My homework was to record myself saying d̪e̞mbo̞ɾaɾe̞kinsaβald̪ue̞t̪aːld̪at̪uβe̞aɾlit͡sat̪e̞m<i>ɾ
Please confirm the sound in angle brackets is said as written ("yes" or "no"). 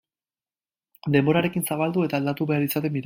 yes